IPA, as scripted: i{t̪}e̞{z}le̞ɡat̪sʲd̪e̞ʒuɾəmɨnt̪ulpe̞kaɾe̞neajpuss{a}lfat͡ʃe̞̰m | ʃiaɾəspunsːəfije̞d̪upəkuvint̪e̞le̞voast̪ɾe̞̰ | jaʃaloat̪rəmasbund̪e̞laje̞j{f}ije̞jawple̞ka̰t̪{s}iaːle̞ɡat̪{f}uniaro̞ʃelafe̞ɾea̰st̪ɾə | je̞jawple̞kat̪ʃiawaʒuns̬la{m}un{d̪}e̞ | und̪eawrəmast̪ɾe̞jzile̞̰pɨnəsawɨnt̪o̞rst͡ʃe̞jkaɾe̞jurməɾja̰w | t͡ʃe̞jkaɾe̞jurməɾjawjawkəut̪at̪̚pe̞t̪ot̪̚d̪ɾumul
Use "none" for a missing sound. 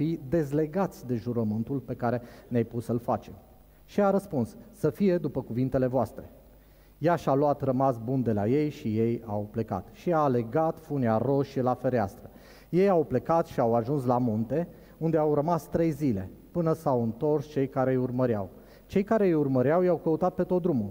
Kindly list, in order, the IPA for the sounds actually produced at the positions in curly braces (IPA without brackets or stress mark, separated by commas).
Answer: d̪, z, ə, ʃ, ʃ, f, m, t̪